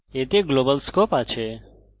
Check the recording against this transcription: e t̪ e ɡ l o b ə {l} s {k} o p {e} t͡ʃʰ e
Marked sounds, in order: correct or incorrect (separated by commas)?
correct, correct, incorrect